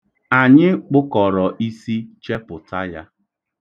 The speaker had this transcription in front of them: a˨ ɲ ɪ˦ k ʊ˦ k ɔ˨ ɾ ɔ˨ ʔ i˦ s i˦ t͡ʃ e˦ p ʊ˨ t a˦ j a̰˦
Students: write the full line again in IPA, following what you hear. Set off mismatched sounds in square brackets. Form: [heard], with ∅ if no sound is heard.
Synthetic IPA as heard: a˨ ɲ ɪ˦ [k͡p] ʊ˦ k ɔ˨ ɾ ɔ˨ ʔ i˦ s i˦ t͡ʃ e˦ p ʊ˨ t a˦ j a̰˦